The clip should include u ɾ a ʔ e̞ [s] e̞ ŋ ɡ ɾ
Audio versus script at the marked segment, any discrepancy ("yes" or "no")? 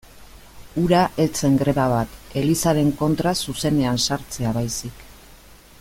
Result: yes